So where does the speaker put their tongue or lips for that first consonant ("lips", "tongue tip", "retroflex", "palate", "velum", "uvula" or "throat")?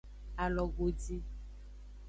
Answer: tongue tip